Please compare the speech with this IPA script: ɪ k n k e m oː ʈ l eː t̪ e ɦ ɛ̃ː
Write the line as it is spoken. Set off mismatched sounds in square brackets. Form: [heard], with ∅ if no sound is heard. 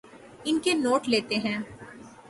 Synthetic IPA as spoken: ɪ [∅] n k e [n] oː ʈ l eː t̪ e ɦ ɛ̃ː